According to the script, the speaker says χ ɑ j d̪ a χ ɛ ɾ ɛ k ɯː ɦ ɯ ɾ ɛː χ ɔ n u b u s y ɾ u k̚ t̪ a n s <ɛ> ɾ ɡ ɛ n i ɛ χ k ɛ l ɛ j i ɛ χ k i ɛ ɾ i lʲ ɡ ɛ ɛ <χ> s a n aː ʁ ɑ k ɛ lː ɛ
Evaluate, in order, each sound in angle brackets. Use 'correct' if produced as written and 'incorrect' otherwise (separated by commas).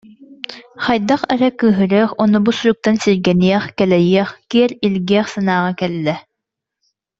incorrect, correct